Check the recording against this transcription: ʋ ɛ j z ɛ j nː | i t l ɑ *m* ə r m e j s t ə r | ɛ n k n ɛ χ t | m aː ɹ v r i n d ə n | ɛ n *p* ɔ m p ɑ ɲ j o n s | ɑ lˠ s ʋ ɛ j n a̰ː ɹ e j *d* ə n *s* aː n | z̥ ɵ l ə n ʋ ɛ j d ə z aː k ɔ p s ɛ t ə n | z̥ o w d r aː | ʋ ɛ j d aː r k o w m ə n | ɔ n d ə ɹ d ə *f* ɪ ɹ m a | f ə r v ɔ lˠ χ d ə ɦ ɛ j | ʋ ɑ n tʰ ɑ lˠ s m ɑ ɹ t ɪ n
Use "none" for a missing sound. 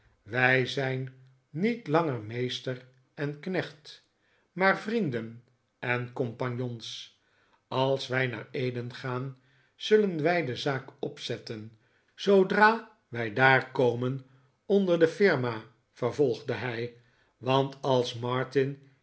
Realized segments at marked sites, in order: ŋ, k, d, χ, f

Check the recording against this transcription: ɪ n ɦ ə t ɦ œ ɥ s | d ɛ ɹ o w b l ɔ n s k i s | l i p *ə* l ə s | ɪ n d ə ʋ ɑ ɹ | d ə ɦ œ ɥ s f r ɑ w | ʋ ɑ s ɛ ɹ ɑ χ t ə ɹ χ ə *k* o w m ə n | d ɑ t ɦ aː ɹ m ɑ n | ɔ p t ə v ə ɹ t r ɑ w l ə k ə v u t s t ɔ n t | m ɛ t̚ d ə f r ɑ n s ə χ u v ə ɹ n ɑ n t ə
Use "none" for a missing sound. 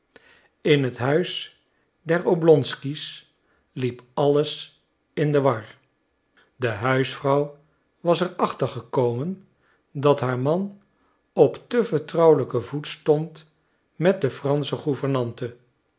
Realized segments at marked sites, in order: ɑ, k

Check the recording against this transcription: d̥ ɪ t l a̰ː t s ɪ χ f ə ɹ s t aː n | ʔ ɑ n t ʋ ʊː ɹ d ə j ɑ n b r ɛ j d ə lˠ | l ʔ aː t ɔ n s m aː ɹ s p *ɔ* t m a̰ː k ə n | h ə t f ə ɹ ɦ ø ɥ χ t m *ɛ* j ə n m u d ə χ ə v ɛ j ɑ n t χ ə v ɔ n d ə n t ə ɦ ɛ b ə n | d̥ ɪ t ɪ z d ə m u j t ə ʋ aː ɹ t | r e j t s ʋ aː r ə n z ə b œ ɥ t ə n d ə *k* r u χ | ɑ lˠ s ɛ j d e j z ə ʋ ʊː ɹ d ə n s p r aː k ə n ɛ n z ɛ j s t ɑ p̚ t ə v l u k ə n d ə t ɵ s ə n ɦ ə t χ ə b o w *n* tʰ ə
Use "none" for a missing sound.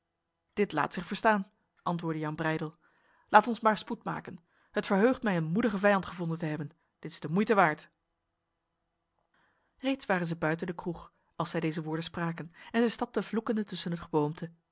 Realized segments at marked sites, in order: u, ɛ, k, m

